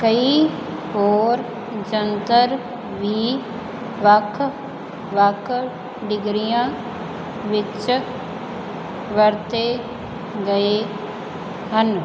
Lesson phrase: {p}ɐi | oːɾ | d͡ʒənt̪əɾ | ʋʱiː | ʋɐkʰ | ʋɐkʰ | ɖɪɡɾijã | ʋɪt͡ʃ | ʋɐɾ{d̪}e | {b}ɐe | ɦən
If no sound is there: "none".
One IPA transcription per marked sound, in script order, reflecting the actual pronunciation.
k, t̪, ɡ

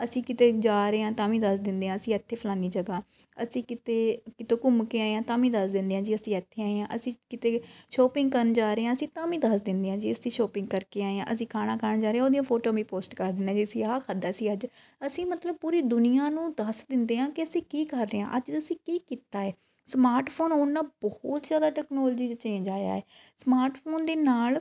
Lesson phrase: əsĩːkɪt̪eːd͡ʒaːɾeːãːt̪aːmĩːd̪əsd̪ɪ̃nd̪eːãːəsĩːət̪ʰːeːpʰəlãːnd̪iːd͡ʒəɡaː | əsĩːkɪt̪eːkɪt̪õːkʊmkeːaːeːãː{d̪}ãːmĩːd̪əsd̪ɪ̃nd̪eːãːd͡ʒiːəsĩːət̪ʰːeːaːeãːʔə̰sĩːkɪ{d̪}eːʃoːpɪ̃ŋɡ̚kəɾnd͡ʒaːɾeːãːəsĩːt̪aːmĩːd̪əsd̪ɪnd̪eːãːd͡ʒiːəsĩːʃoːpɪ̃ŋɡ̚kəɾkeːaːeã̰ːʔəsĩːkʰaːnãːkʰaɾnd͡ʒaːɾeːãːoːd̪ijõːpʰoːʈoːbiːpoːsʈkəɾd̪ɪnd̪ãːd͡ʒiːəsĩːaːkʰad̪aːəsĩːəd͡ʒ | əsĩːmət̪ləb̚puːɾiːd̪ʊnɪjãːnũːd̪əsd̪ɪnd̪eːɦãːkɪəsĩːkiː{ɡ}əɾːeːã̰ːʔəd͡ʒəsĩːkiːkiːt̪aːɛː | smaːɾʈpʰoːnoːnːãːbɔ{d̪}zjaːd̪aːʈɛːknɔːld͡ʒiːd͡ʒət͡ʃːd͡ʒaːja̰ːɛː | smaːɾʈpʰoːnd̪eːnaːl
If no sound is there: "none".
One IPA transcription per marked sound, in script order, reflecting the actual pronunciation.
t̪, t̪, k, t̪

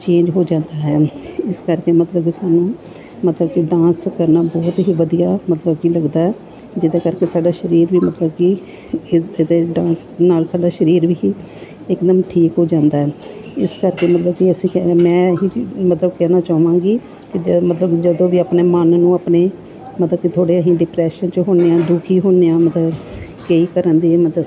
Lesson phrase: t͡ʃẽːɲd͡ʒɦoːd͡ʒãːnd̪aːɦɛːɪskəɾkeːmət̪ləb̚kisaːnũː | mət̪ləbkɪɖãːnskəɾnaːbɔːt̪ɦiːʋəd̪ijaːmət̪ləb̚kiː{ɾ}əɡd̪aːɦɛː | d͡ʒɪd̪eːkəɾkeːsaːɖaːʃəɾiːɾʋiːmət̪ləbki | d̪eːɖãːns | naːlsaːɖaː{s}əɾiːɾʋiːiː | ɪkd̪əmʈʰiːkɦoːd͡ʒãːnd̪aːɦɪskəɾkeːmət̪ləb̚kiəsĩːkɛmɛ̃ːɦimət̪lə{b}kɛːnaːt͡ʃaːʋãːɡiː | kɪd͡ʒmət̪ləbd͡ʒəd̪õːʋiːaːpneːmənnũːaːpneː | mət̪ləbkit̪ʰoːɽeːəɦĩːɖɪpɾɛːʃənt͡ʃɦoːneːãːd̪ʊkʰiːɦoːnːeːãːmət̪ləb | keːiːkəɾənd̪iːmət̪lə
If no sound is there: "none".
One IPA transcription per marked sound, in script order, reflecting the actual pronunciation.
l, ʃ, b

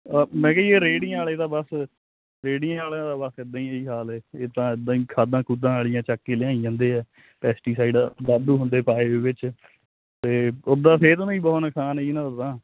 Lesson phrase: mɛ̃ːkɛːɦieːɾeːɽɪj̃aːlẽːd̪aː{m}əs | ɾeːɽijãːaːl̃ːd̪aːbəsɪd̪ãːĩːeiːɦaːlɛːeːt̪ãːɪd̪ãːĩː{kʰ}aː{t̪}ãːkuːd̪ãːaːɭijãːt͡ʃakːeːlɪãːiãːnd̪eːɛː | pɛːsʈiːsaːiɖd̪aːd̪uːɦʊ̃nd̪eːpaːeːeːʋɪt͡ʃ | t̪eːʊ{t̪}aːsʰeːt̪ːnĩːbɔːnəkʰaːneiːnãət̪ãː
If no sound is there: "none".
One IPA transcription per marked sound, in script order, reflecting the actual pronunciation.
b, kʰ, d̪, d̪

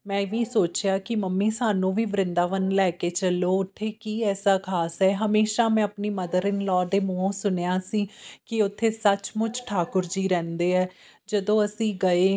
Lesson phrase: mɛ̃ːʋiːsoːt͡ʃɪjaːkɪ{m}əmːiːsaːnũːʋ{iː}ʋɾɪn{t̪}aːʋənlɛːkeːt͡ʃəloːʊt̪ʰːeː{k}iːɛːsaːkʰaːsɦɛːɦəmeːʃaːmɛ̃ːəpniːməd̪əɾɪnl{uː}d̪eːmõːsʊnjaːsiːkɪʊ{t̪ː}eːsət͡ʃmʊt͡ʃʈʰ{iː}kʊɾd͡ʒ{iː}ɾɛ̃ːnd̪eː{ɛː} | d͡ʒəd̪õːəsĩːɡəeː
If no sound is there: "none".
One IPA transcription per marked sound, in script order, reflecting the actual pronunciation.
m, iː, d̪, k, ɔː, t̪ʰː, aː, iː, ɛː

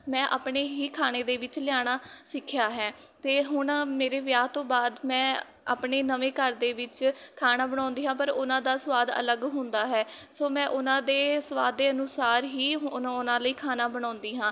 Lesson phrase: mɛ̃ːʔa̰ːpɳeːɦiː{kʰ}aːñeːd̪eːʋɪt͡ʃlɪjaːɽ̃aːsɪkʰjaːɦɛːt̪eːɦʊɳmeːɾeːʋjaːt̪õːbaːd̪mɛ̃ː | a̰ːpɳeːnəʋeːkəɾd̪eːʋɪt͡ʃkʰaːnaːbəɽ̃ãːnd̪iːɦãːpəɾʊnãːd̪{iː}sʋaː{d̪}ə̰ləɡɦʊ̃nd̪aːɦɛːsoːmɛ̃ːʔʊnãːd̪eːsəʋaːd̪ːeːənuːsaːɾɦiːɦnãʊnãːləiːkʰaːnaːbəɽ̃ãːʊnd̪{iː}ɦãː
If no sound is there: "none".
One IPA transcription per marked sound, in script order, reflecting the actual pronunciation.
kʰ, aː, d̪, iː

